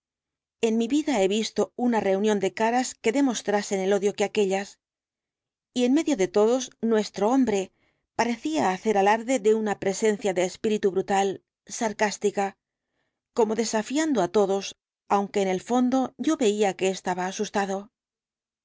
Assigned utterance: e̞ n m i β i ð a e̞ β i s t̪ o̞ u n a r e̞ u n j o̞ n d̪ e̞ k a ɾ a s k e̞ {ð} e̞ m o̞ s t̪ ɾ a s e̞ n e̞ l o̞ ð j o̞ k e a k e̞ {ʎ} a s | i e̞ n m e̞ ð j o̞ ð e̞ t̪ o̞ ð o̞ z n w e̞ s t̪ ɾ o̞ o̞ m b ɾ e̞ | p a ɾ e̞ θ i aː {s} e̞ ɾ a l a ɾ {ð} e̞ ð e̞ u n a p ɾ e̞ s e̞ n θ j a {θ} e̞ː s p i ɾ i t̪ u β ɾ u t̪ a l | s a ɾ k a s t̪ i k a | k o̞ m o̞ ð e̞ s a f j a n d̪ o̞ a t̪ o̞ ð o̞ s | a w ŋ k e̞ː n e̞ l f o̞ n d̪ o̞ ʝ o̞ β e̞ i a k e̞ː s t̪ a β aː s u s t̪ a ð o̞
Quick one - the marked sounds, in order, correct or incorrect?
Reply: correct, correct, incorrect, correct, incorrect

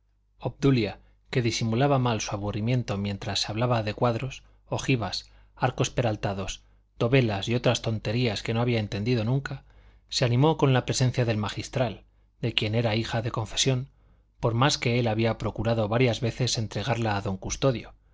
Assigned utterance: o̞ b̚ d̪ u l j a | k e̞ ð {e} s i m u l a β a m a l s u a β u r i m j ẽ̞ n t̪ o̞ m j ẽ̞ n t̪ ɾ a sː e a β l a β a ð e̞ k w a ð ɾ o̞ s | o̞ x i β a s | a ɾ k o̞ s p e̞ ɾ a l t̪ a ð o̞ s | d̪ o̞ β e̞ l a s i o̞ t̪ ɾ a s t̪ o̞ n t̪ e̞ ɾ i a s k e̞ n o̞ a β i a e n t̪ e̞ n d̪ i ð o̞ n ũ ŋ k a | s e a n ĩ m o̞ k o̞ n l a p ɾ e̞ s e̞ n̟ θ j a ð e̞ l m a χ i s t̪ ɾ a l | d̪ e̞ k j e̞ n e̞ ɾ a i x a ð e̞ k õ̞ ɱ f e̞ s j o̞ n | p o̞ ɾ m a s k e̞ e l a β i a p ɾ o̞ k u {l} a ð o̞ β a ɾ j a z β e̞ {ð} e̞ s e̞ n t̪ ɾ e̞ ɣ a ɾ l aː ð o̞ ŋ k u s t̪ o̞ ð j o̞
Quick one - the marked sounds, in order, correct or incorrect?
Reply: incorrect, incorrect, incorrect

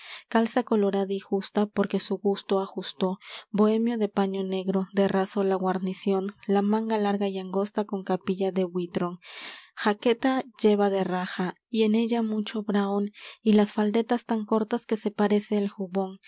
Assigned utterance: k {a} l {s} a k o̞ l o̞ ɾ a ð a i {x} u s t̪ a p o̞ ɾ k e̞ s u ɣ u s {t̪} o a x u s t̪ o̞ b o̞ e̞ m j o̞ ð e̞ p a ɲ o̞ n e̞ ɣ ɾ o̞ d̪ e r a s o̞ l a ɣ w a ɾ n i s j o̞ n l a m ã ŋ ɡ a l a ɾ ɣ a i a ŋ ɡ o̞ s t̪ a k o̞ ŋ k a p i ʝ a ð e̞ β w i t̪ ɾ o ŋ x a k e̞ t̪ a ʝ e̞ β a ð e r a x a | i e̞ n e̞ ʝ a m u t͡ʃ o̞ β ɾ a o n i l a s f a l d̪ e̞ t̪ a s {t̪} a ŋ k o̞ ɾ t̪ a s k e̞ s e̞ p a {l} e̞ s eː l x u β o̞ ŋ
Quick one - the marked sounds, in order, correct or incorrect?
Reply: correct, correct, correct, correct, correct, incorrect

